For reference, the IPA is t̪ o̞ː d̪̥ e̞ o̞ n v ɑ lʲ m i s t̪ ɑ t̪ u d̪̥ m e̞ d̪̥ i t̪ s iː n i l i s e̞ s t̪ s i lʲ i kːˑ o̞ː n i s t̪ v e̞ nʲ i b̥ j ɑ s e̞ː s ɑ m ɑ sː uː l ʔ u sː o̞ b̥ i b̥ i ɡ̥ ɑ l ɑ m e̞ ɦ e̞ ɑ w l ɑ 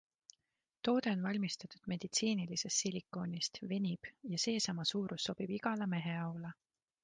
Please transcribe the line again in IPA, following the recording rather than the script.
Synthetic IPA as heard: t̪ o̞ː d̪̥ e̞ o̞ n v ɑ lʲ m i s t̪ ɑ t̪ u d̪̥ m e̞ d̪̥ i t̪ s iː n i l i s e̞ s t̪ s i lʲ i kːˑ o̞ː n i s t̪ v e̞ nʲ i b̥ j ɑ s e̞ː s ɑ m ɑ s uː ɾ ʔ u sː o̞ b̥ i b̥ i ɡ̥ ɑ l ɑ m e̞ ɦ e̞ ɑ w l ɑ